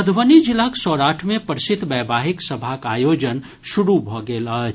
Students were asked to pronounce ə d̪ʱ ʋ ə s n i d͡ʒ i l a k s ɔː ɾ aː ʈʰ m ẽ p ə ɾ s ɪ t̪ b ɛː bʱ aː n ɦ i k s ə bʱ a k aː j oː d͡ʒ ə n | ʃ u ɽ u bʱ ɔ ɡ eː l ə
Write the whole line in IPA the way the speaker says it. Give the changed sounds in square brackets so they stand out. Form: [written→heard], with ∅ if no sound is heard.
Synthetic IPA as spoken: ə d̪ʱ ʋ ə [s→∅] n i d͡ʒ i l a k s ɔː ɾ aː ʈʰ m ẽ p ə ɾ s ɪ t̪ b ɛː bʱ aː [n→∅] ɦ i k s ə bʱ a k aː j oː d͡ʒ ə n | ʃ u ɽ u bʱ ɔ ɡ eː l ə